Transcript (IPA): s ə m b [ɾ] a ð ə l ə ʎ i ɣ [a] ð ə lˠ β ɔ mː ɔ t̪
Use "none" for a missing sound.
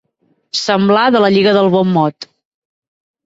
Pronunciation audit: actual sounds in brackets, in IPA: l, ə

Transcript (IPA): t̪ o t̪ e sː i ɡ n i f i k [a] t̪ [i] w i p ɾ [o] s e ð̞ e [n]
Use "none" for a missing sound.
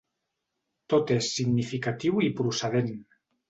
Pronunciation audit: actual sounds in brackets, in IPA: a, i, u, n

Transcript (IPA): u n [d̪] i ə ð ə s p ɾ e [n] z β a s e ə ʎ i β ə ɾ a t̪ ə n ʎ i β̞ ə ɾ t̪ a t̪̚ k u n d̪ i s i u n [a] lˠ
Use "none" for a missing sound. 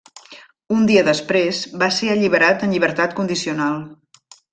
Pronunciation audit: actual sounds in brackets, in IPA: d̪, none, a

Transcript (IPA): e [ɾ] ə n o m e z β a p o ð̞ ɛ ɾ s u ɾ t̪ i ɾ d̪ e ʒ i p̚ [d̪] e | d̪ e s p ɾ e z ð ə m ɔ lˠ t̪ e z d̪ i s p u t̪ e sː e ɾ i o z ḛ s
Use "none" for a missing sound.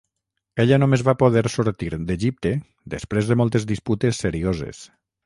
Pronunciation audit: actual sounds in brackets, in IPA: ʎ, t̪

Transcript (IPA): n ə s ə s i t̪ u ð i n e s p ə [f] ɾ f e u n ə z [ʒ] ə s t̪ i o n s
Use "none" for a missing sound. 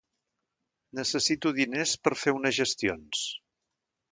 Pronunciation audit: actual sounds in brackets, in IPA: none, ʒ

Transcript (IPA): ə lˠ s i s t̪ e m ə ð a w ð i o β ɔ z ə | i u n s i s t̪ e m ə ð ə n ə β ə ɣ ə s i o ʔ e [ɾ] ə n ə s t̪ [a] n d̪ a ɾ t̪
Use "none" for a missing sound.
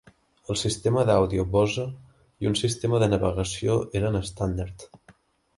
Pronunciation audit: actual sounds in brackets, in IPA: ɾ, a

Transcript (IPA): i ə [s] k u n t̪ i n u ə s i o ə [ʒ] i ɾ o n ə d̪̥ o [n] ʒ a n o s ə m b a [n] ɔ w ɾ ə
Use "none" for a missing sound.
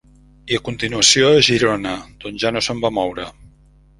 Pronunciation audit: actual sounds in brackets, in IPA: none, ʒ, n, m

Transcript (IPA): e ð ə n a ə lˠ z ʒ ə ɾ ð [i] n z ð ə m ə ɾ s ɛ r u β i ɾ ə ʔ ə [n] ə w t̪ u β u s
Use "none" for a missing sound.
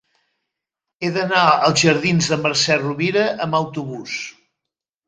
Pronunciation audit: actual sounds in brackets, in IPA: i, m

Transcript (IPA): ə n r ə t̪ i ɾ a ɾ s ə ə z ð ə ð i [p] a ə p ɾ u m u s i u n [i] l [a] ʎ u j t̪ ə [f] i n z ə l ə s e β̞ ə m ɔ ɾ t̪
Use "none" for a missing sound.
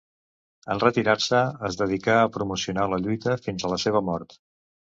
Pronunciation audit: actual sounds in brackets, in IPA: k, a, ə, f

